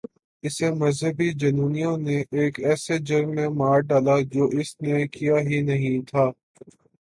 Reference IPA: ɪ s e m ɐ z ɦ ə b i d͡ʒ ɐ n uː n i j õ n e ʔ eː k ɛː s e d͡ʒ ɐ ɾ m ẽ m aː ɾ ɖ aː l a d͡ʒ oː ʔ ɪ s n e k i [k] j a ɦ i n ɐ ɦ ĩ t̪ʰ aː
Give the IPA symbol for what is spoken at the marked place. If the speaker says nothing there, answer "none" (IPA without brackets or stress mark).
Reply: none